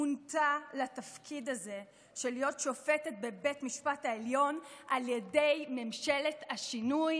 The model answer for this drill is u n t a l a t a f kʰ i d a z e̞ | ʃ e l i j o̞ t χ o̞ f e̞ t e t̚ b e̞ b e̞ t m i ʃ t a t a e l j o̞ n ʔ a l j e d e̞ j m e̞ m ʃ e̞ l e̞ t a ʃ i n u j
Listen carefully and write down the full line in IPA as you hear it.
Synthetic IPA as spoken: u n t a l a t a f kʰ i d a z e̞ | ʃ e l i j o̞ t ʃ o̞ f e̞ t e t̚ b e̞ b e̞ t m i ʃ p a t a e l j o̞ n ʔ a l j e d e̞ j m e̞ m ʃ e̞ l e̞ t a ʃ i n u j